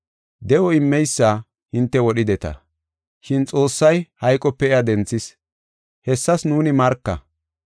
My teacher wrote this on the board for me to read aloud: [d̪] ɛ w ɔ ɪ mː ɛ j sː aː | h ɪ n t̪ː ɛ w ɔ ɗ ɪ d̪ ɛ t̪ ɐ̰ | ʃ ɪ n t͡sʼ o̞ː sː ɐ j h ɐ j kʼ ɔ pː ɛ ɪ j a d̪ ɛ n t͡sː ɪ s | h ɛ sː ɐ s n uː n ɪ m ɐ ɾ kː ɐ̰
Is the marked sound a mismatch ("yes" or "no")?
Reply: no